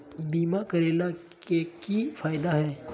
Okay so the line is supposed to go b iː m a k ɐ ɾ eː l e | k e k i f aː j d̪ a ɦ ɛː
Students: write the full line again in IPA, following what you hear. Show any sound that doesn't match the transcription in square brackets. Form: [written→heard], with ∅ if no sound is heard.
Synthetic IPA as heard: b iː m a k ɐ ɾ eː l [e→a] | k e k i f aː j d̪ a ɦ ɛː

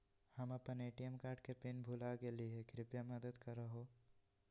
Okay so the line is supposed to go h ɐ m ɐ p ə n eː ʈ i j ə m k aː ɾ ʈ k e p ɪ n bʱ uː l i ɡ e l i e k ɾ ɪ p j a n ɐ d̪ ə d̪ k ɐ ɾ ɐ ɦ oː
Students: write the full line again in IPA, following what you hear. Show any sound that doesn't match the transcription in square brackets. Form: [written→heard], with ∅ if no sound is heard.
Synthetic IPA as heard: h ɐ m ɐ p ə n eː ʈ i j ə m k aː ɾ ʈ k e p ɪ n bʱ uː l [i→a] ɡ e l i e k ɾ ɪ p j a [n→m] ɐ d̪ ə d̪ k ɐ ɾ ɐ ɦ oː

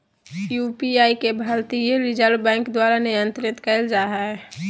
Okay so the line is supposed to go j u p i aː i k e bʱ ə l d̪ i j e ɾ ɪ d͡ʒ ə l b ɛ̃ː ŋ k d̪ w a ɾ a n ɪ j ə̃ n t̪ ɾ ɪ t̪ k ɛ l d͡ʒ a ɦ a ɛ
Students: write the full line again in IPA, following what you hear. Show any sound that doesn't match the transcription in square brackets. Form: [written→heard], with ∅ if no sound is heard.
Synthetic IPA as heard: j u p i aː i k e bʱ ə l [d̪→t̪] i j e ɾ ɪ d͡ʒ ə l b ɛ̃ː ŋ k d̪ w a ɾ a n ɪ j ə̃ n t̪ ɾ ɪ t̪ k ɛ l d͡ʒ a ɦ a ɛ

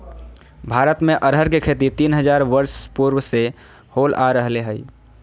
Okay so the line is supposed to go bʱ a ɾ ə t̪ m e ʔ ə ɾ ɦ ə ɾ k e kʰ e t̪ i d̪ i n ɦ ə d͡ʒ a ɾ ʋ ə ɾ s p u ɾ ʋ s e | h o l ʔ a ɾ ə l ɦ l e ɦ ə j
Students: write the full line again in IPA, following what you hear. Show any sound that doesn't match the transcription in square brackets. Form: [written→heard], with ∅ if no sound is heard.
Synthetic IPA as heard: bʱ a ɾ ə t̪ m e ʔ ə ɾ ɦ ə ɾ k e kʰ e t̪ i [d̪→t̪] i n ɦ ə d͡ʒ a ɾ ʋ ə ɾ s p u ɾ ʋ s e | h o l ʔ a ɾ ə [l→∅] ɦ l e ɦ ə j

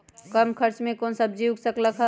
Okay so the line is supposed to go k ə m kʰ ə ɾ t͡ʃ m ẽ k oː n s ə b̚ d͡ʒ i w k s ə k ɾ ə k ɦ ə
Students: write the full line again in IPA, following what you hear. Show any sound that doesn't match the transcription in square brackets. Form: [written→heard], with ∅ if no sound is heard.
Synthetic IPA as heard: k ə m kʰ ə ɾ t͡ʃ m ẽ k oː n s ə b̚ d͡ʒ i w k s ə k [ɾ→l] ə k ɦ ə

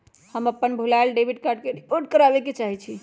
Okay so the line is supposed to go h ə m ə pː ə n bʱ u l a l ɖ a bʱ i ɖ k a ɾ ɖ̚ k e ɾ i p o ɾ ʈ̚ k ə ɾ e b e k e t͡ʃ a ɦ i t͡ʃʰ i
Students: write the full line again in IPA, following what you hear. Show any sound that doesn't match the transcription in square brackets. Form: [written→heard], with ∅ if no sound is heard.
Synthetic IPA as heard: h ə m ə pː ə n bʱ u l a l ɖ [a→e] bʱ i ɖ k a ɾ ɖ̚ k e ɾ i p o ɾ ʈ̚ k ə ɾ [e→a] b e k e t͡ʃ a ɦ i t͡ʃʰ i

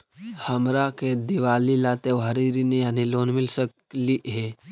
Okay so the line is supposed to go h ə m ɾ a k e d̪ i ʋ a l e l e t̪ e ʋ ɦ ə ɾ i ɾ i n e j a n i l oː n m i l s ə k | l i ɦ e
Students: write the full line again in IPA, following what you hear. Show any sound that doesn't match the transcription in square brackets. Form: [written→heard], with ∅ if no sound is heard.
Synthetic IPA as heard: h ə m ɾ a k e d̪ i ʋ a l [e→i] l [e→a] t̪ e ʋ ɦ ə ɾ i ɾ i n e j a n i l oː n m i l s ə k | l i ɦ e

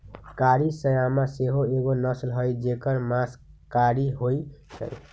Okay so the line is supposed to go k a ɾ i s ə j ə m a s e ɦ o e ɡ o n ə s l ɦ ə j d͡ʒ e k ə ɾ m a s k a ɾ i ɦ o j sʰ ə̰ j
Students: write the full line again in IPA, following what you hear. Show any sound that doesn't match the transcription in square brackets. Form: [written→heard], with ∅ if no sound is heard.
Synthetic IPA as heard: k a ɾ i s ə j [ə→a] m a s e ɦ o e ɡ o n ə s l ɦ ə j d͡ʒ e k ə ɾ m a s k a ɾ i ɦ o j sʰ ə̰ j

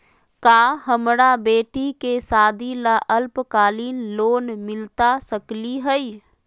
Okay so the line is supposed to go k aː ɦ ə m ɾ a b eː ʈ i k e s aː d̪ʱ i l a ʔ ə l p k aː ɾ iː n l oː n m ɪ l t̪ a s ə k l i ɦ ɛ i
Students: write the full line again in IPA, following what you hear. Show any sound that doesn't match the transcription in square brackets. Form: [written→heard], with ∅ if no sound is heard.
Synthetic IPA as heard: k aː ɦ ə m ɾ a b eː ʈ i k e s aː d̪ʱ i l a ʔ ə l p k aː [ɾ→l] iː n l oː n m ɪ l t̪ a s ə k l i ɦ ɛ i

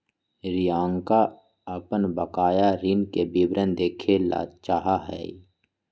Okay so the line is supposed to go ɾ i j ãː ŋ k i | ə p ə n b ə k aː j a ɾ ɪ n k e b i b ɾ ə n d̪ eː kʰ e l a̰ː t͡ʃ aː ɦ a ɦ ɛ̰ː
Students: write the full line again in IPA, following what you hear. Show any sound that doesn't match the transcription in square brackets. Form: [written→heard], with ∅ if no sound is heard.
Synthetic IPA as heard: ɾ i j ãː ŋ k [i→a] | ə p ə n b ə k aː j a ɾ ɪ n k e b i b ɾ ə n d̪ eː kʰ e l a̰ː t͡ʃ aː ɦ a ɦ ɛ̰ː

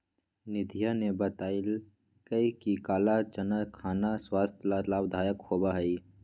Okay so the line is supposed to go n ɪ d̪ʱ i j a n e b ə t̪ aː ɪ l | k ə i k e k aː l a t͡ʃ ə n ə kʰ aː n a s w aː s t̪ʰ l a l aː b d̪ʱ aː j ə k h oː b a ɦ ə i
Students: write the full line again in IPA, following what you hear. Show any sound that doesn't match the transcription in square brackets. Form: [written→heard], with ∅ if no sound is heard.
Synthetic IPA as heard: n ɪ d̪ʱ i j a n e b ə t̪ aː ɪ l | k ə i k [e→i] k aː l a t͡ʃ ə n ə kʰ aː n a s w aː s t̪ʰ l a l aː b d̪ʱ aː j ə k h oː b a ɦ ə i

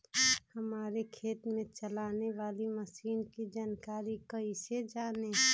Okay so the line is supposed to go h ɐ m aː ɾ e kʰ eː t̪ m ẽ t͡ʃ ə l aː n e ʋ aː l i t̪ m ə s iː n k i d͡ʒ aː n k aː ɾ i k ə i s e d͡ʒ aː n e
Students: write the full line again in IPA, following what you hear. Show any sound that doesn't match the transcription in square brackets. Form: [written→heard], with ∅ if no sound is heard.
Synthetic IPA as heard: h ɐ m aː ɾ e kʰ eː t̪ m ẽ t͡ʃ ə l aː n e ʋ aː l i [t̪→∅] m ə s iː n k i d͡ʒ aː n k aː ɾ i k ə i s e d͡ʒ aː n e

